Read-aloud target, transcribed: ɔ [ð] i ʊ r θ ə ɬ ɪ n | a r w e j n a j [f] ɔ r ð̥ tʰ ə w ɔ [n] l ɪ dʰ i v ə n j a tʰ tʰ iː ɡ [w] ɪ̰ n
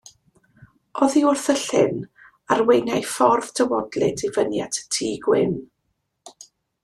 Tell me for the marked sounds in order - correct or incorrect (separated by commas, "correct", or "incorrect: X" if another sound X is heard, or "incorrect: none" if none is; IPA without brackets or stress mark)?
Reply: correct, correct, incorrect: d, correct